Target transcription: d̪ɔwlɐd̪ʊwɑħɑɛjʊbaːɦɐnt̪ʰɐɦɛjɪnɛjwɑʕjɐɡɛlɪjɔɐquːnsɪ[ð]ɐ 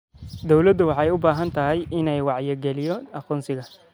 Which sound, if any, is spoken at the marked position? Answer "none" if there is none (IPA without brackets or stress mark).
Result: ɣ